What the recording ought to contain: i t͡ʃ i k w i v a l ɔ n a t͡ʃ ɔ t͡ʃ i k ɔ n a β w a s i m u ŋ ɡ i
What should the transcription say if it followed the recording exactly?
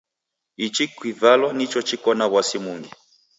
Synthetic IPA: i t͡ʃ i k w i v a l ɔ n i t͡ʃ ɔ t͡ʃ i k ɔ n a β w a s i m u ŋ ɡ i